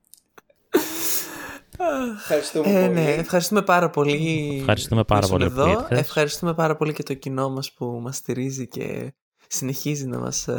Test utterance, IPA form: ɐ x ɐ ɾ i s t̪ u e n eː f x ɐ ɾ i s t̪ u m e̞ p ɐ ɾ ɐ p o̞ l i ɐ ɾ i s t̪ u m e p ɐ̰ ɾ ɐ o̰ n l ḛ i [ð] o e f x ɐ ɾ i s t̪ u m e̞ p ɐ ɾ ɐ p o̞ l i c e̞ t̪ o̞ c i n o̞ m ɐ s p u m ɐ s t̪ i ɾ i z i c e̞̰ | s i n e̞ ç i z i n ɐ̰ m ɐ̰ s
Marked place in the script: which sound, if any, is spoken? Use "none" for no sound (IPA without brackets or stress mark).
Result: ð